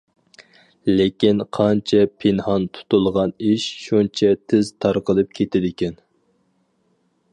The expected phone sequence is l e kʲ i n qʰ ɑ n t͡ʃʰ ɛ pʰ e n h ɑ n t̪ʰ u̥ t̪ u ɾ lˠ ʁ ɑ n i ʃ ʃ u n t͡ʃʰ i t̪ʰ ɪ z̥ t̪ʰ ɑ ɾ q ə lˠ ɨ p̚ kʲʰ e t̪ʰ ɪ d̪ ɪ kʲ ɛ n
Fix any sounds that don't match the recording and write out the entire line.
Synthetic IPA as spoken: l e kʲ i n qʰ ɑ n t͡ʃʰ ɛ pʰ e n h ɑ n t̪ʰ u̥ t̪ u lˠ ʁ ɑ n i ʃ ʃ u n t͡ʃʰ ɛ t̪ʰ ɪ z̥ t̪ʰ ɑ ɾ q ə lˠ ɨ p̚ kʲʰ e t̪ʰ ɪ d̪ ɪ kʲ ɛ n